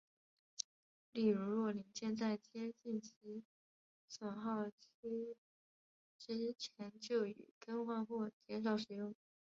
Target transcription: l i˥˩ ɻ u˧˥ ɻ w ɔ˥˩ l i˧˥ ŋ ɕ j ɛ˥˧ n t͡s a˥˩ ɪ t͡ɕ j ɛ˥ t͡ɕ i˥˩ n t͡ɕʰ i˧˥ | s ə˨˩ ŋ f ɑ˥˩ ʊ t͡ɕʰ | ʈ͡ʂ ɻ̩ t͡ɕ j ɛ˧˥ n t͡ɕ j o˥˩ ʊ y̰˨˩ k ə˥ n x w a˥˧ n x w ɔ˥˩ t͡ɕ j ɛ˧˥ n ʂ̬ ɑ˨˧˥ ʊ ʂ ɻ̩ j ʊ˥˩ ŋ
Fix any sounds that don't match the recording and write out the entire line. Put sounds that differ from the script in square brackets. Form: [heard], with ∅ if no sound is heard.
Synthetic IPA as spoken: l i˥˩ ɻ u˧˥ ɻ w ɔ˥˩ l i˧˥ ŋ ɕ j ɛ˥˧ n t͡s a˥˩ ɪ t͡ɕ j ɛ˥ t͡ɕ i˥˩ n t͡ɕʰ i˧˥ | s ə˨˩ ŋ [x] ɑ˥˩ ʊ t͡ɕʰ | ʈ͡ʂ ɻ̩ [t͡ɕʰ] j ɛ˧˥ n t͡ɕ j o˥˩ ʊ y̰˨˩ k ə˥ n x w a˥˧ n x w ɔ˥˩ t͡ɕ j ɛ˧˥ n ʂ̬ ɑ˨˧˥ ʊ ʂ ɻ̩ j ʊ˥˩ ŋ